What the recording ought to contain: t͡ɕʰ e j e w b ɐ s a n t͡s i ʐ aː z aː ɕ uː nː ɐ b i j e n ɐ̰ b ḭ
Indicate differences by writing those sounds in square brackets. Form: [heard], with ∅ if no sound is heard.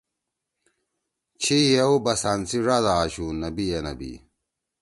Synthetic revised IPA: t͡ɕʰ [i] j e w b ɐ s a n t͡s i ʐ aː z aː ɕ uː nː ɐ b i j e n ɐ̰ b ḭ